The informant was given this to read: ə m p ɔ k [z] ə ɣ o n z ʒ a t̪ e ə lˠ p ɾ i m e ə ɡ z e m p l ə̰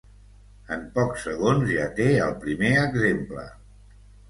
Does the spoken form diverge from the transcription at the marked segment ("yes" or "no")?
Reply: yes